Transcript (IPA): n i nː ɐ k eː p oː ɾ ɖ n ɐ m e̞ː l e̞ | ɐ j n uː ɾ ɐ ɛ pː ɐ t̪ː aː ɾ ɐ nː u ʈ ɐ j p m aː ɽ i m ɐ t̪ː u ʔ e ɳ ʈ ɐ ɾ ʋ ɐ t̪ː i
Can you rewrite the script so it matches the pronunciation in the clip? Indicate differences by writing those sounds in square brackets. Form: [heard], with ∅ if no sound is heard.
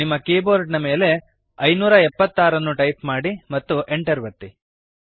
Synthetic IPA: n i [mː] ɐ k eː [b] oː ɾ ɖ n ɐ m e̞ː l e̞ | ɐ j n uː ɾ ɐ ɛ pː ɐ t̪ː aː ɾ ɐ nː u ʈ ɐ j p m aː ɽ i m ɐ t̪ː u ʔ e ɳ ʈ ɐ ɾ ʋ ɐ t̪ː i